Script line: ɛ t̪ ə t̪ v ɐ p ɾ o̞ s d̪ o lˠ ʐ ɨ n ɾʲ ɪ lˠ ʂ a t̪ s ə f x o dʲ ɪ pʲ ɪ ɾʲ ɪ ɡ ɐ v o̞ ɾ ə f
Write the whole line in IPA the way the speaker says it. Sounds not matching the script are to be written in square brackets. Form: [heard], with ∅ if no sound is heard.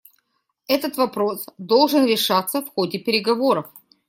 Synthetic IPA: ɛ t̪ ə t̪ v ɐ p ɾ o̞ s d̪ o lˠ ʐ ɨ n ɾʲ ɪ [∅] ʂ a t̪ s ə f x o dʲ ɪ pʲ ɪ ɾʲ ɪ ɡ ɐ v o̞ ɾ ə f